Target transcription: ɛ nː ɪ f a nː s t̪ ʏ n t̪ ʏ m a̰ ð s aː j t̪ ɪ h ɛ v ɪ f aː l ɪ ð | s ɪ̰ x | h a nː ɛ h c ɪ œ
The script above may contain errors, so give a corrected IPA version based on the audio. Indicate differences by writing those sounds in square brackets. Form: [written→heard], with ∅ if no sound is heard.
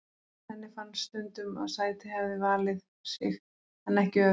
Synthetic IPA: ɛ nː ɪ f a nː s t̪ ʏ n t̪ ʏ m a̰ ð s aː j t̪ ɪ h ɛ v ɪ [f→v] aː l ɪ ð | s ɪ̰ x | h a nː ɛ h c ɪ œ